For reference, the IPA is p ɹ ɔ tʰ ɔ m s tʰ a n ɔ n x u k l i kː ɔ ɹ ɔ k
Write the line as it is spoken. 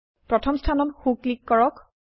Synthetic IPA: p ɹ ɔ tʰ ɔ m s tʰ a n ɔ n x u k l i kː ɔ ɹ ɔ k